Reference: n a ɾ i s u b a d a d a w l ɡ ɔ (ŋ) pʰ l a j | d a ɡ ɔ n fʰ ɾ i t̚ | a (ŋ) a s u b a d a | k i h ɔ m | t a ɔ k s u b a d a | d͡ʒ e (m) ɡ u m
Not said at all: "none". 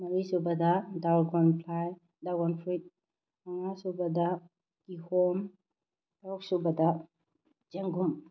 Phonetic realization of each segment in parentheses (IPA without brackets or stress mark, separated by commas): n, ŋ, ŋ